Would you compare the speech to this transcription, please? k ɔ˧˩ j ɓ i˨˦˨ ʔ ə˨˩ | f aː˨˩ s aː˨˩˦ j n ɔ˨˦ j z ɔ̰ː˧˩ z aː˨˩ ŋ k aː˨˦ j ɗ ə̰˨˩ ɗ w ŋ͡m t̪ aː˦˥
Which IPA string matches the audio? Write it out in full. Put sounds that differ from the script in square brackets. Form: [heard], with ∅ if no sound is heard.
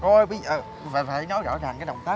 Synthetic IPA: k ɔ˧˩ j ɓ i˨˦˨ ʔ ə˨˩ | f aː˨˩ [f] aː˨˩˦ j n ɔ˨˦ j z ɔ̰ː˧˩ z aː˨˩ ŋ k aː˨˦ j ɗ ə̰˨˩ [∅] w ŋ͡m t̪ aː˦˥